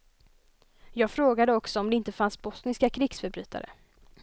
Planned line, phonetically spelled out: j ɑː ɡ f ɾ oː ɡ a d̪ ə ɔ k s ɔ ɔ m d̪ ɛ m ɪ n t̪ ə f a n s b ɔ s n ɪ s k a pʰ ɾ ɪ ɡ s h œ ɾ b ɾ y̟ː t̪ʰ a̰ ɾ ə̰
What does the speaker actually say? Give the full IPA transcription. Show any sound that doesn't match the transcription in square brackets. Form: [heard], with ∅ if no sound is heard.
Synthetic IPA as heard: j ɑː ɡ f ɾ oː ɡ a d̪ ə ɔ k s ɔ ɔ m d̪ ɛ [∅] ɪ n t̪ ə f a n s b ɔ s n ɪ s k a [kʰ] ɾ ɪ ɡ s [f] œ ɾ b ɾ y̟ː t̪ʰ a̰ ɾ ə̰

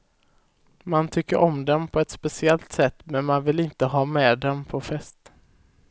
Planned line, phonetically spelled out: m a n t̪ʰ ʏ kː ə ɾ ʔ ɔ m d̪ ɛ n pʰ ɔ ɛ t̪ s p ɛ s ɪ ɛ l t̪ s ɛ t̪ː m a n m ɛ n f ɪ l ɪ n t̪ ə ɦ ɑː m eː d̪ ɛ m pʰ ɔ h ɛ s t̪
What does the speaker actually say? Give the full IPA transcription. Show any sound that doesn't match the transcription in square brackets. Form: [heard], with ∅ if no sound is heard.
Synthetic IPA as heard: m a n t̪ʰ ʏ kː ə ɾ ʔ ɔ m d̪ ɛ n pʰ ɔ ɛ t̪ s p ɛ s ɪ ɛ l t̪ s ɛ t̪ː m [ɛ] n m [a] n [v] ɪ l ɪ n t̪ ə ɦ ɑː m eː d̪ ɛ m pʰ ɔ [f] ɛ s t̪

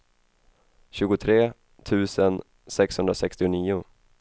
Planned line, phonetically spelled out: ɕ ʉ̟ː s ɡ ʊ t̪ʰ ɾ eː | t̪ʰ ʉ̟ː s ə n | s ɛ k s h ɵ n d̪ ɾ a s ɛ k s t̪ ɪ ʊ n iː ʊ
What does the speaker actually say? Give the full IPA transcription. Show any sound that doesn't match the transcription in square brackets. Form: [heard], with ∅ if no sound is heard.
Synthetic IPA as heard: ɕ ʉ̟ː [∅] ɡ ʊ t̪ʰ ɾ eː | t̪ʰ ʉ̟ː s ə n | s ɛ k s h ɵ n d̪ ɾ a s ɛ k s t̪ ɪ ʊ n iː ʊ

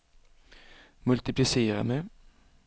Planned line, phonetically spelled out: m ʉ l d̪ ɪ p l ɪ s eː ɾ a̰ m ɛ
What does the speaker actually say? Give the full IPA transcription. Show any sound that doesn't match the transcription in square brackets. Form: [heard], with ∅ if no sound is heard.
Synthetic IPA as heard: m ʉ l [t̪] ɪ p l ɪ s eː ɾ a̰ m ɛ

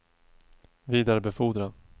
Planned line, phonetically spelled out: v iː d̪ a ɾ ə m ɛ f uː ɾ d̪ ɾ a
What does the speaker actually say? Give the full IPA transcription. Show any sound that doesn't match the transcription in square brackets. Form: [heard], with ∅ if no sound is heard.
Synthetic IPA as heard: v iː d̪ a ɾ ə [b] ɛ f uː [∅] d̪ ɾ a

